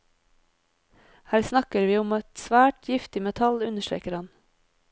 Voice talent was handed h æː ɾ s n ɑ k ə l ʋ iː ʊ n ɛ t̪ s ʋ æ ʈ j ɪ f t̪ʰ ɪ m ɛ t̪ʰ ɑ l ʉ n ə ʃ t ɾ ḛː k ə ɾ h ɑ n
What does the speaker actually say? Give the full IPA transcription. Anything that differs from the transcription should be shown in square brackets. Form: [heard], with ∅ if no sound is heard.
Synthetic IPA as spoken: h æː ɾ s n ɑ k ə [ɾ] ʋ iː ʊ [m] ɛ t̪ s ʋ [æː] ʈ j ɪ f [t̪] ɪ m ɛ t̪ʰ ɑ l ʉ n ə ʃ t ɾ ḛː k ə ɾ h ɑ n